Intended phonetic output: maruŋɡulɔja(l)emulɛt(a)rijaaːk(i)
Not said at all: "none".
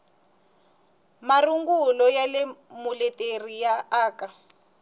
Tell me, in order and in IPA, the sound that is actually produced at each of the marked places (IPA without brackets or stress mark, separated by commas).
l, e, a